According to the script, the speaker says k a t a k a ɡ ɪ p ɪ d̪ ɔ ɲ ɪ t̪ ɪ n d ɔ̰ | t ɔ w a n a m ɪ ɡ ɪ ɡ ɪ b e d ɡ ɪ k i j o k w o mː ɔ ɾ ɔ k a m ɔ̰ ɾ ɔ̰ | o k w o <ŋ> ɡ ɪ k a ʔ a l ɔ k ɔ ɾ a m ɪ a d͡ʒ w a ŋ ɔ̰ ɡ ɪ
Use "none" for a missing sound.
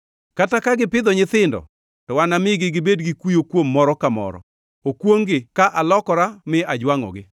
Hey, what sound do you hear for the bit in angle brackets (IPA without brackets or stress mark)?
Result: ŋ